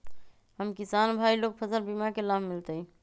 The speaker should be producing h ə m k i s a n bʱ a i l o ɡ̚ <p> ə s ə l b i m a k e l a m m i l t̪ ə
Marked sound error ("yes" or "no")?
yes